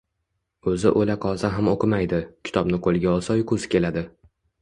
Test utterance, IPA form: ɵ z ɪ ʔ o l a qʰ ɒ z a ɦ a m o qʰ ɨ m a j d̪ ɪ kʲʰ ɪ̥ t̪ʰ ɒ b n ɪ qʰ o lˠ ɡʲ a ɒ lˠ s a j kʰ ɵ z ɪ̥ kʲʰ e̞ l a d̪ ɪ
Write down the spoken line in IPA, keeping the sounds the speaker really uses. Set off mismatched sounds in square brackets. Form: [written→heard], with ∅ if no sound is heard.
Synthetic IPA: ɵ z ɪ ʔ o l a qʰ ɒ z a ɦ a m o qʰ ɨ m a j d̪ ɪ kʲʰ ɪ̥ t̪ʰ ɒ b n ɪ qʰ o lˠ ɡʲ a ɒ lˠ s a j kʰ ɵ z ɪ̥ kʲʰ e̞ l a d̪ ɪ